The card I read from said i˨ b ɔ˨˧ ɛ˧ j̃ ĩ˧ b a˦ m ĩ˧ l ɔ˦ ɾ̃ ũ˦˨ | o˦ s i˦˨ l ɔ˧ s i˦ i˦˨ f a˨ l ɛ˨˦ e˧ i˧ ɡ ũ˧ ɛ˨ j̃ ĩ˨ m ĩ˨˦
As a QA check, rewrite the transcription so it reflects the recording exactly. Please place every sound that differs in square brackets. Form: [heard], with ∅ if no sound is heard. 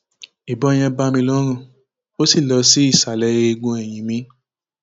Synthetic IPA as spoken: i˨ b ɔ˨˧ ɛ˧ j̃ [ɛ̃˧] b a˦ m ĩ˧ l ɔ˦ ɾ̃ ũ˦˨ | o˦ s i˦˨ l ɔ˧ s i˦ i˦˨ [s] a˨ l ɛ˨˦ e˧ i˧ ɡ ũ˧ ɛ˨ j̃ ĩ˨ m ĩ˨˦

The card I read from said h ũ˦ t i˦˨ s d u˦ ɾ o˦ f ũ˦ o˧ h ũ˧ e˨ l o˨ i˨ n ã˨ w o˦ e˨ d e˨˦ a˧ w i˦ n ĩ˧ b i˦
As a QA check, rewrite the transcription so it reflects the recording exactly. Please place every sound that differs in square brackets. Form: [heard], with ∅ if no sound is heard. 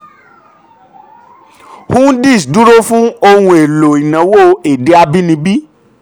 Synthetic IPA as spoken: h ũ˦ [d] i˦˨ s d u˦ ɾ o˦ f ũ˦ o˧ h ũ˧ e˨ l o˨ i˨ n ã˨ w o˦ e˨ d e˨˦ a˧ [b] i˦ n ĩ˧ b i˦

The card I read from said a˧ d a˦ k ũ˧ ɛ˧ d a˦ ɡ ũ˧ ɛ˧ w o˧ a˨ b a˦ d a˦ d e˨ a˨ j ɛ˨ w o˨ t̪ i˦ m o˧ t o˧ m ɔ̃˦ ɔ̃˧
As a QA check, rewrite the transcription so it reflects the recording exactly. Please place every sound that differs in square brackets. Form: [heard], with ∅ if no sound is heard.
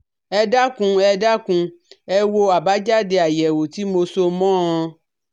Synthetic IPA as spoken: [ɛ˧] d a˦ k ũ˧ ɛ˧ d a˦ [k] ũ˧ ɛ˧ w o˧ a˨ b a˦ [d͡ʒ] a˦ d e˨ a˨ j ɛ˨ w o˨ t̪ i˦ m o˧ [s] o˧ m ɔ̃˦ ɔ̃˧

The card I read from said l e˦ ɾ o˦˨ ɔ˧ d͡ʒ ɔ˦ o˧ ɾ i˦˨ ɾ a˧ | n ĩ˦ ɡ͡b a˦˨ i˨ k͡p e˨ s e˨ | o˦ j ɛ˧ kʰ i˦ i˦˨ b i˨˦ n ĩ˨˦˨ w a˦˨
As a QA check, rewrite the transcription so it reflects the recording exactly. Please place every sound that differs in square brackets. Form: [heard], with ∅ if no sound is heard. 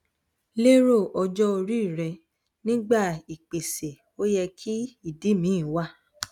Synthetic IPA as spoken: l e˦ ɾ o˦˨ ɔ˧ d͡ʒ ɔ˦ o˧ ɾ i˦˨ ɾ [ɛ˧] | n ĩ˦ ɡ͡b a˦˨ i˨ k͡p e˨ s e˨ | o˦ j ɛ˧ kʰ i˦ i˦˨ [d] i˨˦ [m] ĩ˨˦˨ w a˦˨

